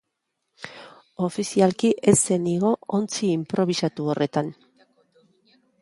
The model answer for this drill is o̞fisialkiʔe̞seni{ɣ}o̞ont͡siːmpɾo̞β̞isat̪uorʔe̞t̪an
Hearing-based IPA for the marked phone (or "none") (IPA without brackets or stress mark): ɣ